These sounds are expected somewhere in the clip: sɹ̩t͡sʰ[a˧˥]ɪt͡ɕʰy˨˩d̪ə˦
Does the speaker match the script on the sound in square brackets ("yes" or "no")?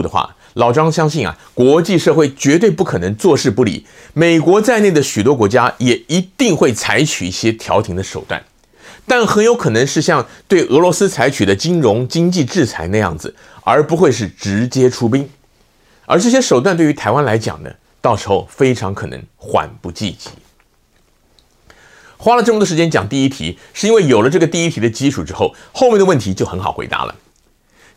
yes